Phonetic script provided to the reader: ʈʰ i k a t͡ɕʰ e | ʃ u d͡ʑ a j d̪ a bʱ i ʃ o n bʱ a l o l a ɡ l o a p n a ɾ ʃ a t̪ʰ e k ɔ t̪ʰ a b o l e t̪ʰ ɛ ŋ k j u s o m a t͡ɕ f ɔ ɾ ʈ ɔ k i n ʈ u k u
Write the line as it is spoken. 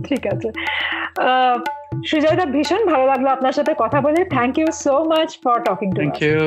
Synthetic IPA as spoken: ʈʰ i k a t͡ɕʰ e | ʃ u d͡ʑ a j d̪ a bʱ i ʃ o n bʱ a l o l a ɡ l o a p n a ɾ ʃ a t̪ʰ e k ɔ t̪ʰ a b o l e t̪ʰ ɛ ŋ k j u s o m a t͡ɕ f ɔ ɾ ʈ ɔ k i ŋ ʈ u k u